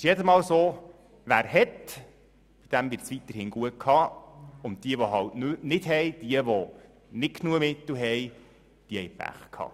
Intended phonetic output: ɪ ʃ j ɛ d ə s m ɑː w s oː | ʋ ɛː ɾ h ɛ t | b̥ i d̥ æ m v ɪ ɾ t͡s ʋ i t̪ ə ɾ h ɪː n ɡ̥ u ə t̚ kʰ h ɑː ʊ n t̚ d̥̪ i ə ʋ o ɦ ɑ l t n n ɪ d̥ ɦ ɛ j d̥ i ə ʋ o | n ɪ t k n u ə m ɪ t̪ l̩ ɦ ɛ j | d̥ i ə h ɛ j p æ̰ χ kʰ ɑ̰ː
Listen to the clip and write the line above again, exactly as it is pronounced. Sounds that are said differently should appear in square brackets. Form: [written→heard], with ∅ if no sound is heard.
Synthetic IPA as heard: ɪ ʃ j ɛ d ə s m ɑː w s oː | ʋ [ɛː→æː] ɾ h ɛ t | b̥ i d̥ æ m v ɪ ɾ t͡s ʋ i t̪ ə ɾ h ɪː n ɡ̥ u ə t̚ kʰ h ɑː ʊ n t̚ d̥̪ i ə ʋ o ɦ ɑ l t n n ɪ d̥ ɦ ɛ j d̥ i ə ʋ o | n ɪ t k n u ə m ɪ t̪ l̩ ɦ ɛ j | d̥ i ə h ɛ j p æ̰ χ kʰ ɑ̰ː

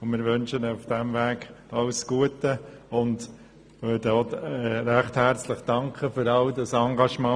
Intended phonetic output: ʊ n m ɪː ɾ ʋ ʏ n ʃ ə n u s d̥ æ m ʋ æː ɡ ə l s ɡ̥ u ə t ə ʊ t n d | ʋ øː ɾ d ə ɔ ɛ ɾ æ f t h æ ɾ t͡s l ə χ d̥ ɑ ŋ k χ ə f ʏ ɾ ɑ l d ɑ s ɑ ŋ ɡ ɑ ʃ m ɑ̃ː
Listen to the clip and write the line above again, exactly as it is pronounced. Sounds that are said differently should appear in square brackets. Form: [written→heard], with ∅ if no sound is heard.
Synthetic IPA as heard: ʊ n m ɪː ɾ ʋ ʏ n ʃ ə n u [s→f] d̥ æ m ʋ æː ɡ [ə→ɑ] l s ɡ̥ u ə t ə ʊ [t→∅] n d | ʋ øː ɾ d ə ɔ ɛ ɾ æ [f→χ] t h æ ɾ t͡s l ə χ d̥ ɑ ŋ k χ ə f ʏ ɾ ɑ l d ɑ s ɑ ŋ ɡ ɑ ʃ m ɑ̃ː

